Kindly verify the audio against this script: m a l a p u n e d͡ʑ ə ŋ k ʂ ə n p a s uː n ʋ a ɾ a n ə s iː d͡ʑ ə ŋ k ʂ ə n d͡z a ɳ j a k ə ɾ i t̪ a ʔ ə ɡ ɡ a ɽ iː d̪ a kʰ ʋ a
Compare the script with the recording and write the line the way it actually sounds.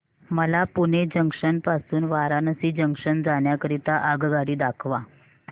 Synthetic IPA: m ə l a p u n e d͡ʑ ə ŋ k ʂ ə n p a s uː n ʋ a ɾ a n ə s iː d͡ʑ ə ŋ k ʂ ə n d͡z a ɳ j a k ə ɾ i t̪ a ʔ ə ɡ ɡ a ɽ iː d̪ a kʰ ʋ a